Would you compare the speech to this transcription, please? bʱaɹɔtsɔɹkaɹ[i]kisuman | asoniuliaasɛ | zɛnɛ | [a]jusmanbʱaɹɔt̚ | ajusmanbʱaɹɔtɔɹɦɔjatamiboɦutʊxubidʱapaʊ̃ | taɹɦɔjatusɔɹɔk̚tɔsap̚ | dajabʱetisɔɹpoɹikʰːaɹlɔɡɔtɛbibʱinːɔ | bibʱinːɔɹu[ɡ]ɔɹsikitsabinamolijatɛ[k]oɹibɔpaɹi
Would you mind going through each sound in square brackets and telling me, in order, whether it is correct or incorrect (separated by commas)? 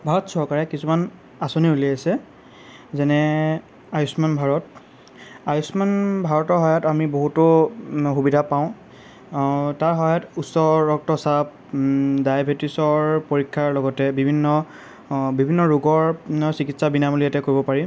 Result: incorrect, correct, correct, correct